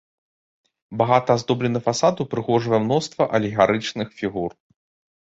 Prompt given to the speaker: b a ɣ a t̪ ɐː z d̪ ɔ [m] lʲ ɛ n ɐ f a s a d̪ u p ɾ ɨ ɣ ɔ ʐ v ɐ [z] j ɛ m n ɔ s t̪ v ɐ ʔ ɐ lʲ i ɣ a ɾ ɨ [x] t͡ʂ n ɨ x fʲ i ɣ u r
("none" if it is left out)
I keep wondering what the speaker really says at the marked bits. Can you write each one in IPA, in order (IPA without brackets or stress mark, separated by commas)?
b, none, none